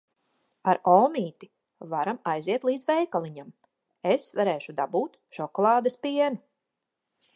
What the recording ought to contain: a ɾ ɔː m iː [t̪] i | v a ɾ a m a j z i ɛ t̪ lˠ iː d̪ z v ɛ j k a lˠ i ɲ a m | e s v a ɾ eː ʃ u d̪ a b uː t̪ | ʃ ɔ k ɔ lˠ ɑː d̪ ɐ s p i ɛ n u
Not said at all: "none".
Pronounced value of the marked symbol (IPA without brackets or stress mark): t̪